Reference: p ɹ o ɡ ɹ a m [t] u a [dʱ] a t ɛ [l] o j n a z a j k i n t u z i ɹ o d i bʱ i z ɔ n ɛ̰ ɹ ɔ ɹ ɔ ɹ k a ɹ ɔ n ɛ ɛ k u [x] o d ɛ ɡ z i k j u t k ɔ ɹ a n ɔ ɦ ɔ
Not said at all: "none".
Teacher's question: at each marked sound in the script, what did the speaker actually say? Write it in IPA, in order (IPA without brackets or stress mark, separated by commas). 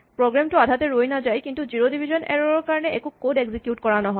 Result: t, dʱ, ɹ, k